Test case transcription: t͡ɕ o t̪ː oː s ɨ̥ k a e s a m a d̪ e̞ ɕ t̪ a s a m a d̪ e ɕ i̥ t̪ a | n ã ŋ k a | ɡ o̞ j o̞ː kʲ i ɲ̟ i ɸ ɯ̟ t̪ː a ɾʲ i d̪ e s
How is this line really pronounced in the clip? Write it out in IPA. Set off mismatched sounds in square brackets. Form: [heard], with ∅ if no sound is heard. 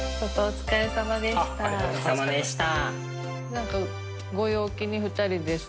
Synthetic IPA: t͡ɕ o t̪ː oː [t͡s] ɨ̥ k a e s a m a d̪ e̞ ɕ t̪ a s a m a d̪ e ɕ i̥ t̪ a | n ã ŋ k a | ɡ o̞ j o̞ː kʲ i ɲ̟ i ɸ ɯ̟ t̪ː a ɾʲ i d̪ e s